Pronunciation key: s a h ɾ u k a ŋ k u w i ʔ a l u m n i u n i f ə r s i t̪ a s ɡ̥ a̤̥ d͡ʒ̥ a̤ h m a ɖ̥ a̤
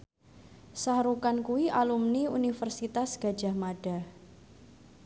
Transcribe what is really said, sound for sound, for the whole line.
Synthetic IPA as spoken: s a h ɾ u k a n k u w i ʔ a l u m n i u n i f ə r s i t̪ a s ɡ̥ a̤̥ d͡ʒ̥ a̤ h m a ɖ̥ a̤